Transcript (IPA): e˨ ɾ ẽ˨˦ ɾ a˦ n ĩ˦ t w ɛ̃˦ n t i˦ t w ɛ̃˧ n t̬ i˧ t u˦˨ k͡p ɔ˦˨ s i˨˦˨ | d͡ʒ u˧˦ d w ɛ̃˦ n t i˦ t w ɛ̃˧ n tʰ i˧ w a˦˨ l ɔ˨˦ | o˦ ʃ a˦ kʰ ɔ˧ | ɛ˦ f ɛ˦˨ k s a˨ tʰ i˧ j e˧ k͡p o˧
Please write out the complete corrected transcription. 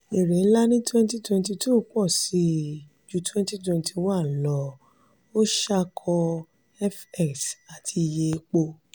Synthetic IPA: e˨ ɾ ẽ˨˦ l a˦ n ĩ˦ t w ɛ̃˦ n t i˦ t w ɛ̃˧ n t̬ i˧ t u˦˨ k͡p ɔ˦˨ s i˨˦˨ | d͡ʒ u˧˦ t w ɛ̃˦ n t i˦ t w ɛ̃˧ n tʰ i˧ w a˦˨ l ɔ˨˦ | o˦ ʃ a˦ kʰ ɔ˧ | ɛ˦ f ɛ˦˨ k s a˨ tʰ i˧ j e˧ k͡p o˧